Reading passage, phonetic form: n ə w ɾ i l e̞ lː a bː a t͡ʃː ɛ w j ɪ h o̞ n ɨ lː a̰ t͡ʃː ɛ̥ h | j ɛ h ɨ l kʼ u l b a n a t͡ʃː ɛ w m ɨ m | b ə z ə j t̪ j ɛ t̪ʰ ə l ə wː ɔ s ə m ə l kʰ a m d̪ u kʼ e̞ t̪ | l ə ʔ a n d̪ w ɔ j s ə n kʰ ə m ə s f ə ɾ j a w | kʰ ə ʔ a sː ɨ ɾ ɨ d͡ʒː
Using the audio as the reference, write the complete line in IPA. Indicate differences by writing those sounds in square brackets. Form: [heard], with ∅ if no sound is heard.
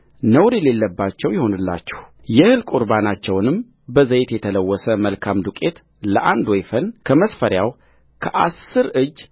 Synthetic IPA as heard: n ə w ɾ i l e̞ lː [ə] bː a t͡ʃː ɛ w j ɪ h o̞ n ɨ lː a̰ t͡ʃː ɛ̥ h | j ɛ h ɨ l kʼ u [ɾ] b a n a t͡ʃː ɛ w [n] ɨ m | b ə z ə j t̪ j ɛ t̪ʰ ə l ə wː ɔ s ə m ə l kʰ a m d̪ u kʼ e̞ t̪ | l ə ʔ a n d̪ w ɔ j [f] ə n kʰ ə m ə s f ə ɾ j a w | kʰ ə ʔ a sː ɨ ɾ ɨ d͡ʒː